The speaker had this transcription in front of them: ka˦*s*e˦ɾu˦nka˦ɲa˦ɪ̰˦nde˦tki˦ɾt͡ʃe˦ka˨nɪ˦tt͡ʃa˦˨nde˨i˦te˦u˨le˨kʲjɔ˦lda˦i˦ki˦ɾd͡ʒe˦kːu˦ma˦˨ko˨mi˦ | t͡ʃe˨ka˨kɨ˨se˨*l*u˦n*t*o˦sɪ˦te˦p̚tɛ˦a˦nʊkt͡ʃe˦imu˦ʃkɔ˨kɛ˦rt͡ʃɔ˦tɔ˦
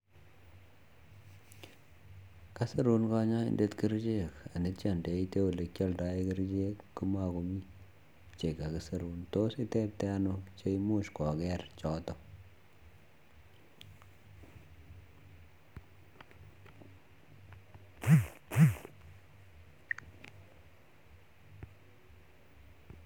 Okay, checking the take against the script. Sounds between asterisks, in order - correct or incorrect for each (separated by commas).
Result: correct, incorrect, correct